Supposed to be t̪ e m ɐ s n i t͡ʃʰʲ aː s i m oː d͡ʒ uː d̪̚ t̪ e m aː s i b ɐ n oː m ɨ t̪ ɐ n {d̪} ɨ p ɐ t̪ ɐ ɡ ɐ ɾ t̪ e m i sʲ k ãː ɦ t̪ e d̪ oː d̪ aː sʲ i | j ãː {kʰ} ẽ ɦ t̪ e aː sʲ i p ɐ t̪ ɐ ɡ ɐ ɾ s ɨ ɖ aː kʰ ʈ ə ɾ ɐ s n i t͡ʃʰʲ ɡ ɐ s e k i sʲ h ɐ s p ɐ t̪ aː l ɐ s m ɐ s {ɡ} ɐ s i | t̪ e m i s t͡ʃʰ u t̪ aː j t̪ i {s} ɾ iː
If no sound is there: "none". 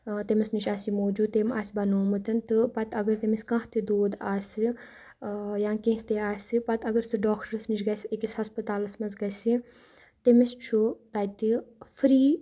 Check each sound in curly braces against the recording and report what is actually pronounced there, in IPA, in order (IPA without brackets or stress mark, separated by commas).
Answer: t̪, k, ɡ, f